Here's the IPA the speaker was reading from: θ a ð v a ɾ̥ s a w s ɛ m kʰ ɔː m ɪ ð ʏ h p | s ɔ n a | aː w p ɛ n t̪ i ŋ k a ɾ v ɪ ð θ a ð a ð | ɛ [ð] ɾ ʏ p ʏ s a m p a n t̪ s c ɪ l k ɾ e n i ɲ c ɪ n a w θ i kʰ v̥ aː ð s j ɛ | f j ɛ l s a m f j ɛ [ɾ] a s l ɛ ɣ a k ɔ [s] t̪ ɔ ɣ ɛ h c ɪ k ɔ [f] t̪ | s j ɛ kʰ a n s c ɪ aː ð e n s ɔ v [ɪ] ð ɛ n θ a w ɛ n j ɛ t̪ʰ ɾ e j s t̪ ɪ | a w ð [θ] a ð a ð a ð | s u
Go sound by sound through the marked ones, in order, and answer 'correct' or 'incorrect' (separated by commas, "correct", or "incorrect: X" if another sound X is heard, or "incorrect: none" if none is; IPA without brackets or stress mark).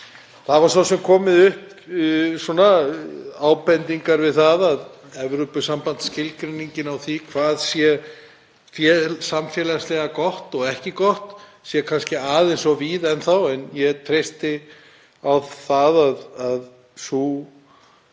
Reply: incorrect: v, incorrect: l, incorrect: h, incorrect: h, incorrect: i, correct